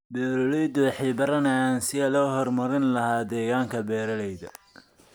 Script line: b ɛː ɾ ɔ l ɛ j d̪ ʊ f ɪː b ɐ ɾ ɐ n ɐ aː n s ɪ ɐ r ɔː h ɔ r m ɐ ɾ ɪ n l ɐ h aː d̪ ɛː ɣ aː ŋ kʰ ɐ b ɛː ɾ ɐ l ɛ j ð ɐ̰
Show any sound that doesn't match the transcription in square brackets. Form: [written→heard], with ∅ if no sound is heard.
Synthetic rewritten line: b ɛː ɾ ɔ l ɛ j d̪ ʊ [f→ħ] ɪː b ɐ ɾ ɐ n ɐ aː n s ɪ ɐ [r→l] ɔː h ɔ r m ɐ ɾ ɪ n l ɐ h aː d̪ ɛː ɣ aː ŋ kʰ ɐ b ɛː ɾ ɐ l ɛ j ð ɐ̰